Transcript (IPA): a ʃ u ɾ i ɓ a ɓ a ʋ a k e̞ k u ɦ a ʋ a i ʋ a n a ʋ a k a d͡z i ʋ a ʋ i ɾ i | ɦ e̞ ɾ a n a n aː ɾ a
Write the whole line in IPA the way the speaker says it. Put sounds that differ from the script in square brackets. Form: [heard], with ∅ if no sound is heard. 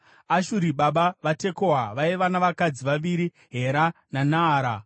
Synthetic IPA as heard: a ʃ u ɾ i ɓ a ɓ a ʋ a [t] e̞ k [o] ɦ a ʋ a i ʋ a n a ʋ a k a d͡z i ʋ a ʋ i ɾ i | ɦ e̞ ɾ a n a n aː ɾ a